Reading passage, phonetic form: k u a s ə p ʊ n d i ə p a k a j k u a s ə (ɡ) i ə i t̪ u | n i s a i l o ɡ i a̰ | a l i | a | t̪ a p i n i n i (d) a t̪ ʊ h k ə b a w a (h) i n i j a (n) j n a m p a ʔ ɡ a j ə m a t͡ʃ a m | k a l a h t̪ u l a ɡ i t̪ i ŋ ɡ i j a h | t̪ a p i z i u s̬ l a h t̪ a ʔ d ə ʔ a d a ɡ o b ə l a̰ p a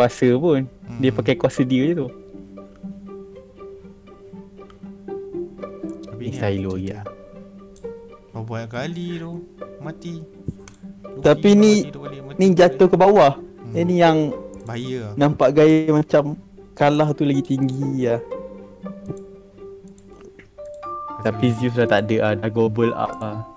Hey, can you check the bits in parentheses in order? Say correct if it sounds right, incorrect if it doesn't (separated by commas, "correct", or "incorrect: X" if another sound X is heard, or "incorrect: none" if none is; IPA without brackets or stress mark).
incorrect: d, incorrect: d͡ʒ, correct, incorrect: ŋ